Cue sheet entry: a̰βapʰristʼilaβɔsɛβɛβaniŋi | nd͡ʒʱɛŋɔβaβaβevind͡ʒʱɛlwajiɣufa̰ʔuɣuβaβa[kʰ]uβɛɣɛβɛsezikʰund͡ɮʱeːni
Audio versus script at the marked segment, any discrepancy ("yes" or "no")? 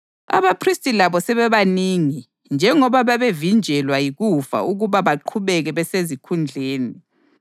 yes